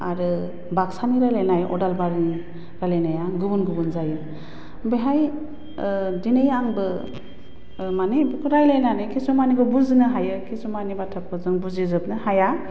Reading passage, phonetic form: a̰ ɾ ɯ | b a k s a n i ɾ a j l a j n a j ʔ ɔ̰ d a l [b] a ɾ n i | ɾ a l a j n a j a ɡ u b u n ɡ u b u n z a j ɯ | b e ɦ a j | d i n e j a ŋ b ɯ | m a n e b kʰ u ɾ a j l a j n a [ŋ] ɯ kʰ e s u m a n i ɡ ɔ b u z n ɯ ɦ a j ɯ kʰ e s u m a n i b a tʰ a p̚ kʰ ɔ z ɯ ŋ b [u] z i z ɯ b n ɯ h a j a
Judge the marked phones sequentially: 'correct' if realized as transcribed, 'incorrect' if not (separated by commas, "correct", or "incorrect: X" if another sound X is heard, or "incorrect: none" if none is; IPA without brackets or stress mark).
correct, incorrect: n, correct